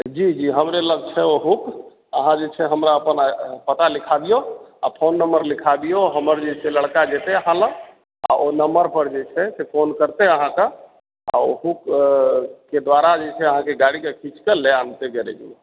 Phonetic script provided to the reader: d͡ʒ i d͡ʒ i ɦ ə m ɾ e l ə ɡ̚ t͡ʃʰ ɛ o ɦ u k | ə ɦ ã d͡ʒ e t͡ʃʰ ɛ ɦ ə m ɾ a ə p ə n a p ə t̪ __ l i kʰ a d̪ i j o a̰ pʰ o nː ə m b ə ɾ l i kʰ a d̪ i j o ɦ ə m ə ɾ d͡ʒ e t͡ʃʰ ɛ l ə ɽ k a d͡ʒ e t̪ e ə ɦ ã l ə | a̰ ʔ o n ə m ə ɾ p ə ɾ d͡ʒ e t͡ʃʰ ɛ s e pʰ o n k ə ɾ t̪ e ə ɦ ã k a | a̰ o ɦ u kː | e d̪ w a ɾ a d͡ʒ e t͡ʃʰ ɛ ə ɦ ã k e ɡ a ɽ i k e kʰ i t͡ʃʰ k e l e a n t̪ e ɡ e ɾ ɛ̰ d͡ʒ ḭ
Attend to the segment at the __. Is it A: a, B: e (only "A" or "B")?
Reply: A